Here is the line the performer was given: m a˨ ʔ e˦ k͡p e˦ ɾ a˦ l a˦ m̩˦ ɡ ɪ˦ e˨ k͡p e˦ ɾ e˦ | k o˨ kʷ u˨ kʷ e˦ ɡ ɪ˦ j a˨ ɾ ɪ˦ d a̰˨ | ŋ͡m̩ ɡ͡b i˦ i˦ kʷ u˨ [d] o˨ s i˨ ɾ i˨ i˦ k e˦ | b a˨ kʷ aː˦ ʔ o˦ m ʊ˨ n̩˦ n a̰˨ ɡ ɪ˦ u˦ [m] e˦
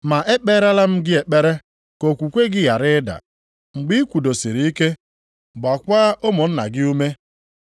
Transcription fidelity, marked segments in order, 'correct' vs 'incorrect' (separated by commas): correct, correct